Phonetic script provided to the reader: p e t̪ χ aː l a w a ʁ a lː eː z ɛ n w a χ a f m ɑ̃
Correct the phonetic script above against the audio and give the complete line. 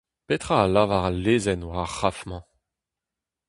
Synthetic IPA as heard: p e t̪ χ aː l a v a ʁ a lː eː z ɛ n w a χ a f m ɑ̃